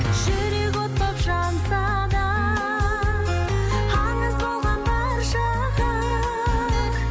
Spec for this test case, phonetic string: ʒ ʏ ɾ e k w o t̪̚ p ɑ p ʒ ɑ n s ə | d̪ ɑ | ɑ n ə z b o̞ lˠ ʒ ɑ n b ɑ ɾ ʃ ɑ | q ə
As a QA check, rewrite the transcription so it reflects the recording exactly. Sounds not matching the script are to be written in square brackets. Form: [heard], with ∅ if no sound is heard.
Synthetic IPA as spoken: ʒ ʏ ɾ e k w o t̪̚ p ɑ p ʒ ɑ n s [ɑ] | d̪ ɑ | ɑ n ə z b o̞ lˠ [ʁ] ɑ n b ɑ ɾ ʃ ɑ | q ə

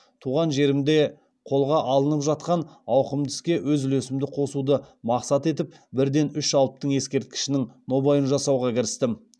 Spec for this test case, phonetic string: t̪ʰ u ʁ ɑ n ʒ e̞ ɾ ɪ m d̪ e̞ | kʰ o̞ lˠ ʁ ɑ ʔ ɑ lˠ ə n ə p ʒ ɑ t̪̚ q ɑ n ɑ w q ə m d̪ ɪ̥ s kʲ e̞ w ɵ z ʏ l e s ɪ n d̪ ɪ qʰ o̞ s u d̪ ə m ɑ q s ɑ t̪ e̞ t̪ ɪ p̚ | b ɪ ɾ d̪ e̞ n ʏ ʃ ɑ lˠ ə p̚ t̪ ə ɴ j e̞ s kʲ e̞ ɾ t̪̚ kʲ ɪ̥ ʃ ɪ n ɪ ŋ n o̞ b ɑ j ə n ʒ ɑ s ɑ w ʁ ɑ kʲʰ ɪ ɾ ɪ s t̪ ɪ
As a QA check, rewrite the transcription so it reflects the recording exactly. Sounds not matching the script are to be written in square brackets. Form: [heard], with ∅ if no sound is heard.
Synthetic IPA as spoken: t̪ʰ u ʁ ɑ n ʒ e̞ ɾ ɪ m d̪ e̞ | [qʰ] o̞ lˠ ʁ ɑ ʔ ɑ lˠ ə n ə p ʒ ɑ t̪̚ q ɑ n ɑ w q ə m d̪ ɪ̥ s kʲ e̞ w ɵ z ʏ l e s ɪ [m] d̪ ɪ qʰ o̞ s u d̪ ə m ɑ q s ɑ t̪ e̞ t̪ ɪ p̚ | b ɪ ɾ d̪ e̞ n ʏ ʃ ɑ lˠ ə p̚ t̪ ə ɴ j e̞ s kʲ e̞ ɾ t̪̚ kʲ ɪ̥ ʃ ɪ n ɪ ŋ n o̞ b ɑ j ə n ʒ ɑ s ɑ w ʁ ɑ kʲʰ ɪ ɾ ɪ s t̪ ɪ

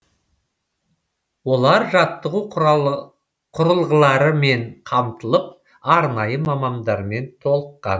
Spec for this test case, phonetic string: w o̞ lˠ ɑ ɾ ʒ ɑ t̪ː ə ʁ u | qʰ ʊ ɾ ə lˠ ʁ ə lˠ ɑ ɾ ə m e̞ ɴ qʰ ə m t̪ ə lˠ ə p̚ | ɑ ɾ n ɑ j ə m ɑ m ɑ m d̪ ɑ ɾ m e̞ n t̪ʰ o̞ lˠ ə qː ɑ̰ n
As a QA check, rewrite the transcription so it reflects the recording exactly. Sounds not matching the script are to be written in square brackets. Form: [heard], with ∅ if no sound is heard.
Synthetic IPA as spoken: w o̞ lˠ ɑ ɾ ʒ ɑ t̪ː ə ʁ u | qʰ ʊ ɾ ə lˠ ʁ ə lˠ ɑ ɾ ə m e̞ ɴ qʰ [ɑ] m t̪ ə lˠ ə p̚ | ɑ ɾ n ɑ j ə m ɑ m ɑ m d̪ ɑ ɾ m e̞ n t̪ʰ o̞ lˠ ə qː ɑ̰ n

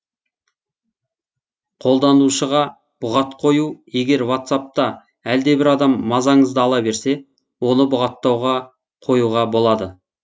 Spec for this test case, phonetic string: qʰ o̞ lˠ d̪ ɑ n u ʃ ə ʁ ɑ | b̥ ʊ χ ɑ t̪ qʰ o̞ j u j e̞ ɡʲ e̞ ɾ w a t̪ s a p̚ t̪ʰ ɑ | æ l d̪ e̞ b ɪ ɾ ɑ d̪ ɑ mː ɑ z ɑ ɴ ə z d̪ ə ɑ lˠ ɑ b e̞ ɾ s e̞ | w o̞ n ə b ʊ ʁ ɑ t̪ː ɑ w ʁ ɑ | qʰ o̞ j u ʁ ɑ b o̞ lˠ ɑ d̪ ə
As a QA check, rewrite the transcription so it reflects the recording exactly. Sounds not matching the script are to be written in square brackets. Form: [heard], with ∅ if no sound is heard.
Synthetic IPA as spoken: qʰ o̞ lˠ d̪ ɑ n u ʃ ə ʁ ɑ | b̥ ʊ [ʁ] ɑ t̪ qʰ o̞ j u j e̞ ɡʲ e̞ ɾ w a t̪ s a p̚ [t̪] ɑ | æ l d̪ e̞ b ɪ ɾ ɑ d̪ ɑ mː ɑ z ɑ ɴ ə z d̪ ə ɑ lˠ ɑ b e̞ ɾ s e̞ | w o̞ n ə b ʊ ʁ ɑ t̪ː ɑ w ʁ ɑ | qʰ o̞ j u ʁ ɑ b o̞ lˠ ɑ d̪ ə

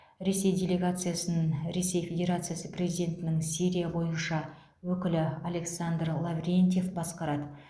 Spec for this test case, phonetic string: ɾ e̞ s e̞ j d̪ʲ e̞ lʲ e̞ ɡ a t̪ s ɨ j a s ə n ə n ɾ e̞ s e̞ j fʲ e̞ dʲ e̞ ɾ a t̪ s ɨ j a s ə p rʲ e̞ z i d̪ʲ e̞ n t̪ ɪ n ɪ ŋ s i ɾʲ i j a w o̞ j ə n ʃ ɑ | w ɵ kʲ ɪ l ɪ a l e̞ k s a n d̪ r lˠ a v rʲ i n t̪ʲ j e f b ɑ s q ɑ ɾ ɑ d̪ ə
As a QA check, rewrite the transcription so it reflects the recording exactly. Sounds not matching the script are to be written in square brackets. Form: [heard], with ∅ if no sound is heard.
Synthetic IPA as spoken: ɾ e̞ s e̞ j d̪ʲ e̞ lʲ e̞ ɡ a t̪ s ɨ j a s ə n ə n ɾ e̞ s e̞ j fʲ e̞ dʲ e̞ ɾ a t̪ s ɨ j a s ə p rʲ e̞ z i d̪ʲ e̞ n t̪ ɪ n ɪ ŋ s i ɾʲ i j a [b] o̞ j ə n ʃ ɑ | w ɵ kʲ ɪ l ɪ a l e̞ k s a n d̪ r lˠ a v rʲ [e] n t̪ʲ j e f b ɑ s q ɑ ɾ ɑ d̪ ə

